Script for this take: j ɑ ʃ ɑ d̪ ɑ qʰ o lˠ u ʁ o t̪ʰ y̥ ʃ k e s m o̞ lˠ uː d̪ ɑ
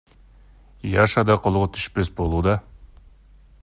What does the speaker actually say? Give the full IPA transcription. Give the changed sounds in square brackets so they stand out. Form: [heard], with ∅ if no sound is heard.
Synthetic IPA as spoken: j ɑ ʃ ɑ d̪ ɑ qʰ o lˠ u ʁ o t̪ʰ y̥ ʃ [p] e s [b] o̞ lˠ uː d̪ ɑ